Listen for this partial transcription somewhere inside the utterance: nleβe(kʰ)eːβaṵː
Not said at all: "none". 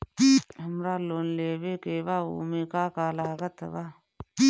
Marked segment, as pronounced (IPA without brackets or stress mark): k